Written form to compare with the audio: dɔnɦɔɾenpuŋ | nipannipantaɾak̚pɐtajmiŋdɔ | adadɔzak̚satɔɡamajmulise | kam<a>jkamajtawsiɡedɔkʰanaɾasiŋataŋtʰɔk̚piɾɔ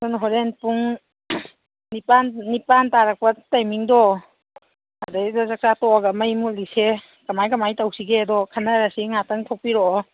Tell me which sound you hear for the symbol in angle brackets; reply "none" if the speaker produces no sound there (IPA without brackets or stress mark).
a